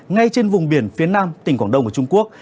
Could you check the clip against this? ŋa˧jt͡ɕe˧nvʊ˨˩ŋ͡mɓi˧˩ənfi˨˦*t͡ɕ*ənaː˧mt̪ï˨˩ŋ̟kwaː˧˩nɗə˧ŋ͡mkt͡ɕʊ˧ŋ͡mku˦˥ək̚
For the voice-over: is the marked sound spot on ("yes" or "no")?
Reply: no